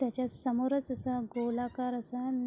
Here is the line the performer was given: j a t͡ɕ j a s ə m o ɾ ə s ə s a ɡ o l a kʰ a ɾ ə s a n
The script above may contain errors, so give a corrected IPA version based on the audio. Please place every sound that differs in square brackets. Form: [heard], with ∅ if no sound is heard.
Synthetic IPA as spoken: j a t͡ɕ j a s ə m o ɾ ə [t͡s] ə s a ɡ o l a [k] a ɾ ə s a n